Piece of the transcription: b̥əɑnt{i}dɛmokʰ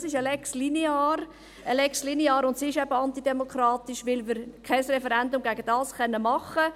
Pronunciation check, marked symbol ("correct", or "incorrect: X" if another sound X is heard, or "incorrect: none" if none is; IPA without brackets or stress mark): correct